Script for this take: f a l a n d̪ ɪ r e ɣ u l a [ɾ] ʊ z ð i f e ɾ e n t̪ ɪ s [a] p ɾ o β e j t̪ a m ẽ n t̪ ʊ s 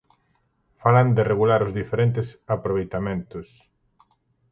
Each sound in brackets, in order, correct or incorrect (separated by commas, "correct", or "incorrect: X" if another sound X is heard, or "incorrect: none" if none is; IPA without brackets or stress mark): correct, correct